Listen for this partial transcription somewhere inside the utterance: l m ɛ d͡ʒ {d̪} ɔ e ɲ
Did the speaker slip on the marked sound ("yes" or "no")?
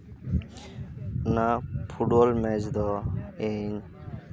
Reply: no